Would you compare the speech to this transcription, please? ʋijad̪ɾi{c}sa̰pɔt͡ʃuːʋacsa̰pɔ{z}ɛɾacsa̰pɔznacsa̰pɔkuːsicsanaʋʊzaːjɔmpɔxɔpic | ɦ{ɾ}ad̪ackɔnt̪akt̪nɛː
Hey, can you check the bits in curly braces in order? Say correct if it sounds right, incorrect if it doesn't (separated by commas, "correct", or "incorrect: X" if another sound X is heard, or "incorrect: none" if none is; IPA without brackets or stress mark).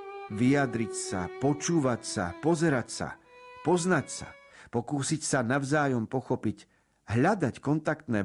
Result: correct, correct, incorrect: ʎ